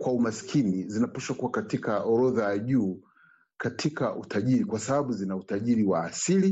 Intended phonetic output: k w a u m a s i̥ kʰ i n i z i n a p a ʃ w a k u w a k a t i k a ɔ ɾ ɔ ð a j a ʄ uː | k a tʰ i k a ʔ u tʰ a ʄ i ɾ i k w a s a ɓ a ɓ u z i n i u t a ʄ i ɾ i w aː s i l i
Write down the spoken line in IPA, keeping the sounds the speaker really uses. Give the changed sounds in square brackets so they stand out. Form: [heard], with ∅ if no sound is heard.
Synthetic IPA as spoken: k w a u m a s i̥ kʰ i n i z i n a p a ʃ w a k u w a k a t i k a ɔ ɾ ɔ ð a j a ʄ uː | k a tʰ i k a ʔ u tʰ a ʄ i ɾ i k w a s a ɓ a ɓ u z i n [a] u t a ʄ i ɾ i w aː s i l i